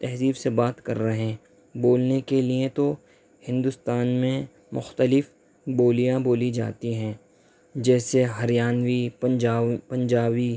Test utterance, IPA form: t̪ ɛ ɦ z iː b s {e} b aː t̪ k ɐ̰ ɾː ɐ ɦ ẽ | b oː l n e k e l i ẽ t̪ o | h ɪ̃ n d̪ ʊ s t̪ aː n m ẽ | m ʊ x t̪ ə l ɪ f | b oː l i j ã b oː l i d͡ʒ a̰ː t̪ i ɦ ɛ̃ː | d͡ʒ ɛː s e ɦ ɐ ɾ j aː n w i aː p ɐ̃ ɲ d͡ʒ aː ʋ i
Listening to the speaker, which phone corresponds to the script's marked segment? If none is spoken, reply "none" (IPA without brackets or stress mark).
e